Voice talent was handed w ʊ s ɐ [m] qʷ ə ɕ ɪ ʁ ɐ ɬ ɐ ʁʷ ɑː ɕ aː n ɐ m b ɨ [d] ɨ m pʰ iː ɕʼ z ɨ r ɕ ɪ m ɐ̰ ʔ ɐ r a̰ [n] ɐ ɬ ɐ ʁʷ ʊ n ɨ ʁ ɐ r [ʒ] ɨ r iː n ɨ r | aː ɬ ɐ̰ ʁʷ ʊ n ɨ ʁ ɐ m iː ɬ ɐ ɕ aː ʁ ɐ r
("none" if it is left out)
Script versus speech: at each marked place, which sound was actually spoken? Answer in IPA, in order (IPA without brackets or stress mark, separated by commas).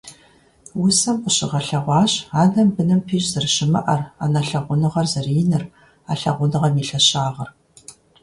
m, n, n, z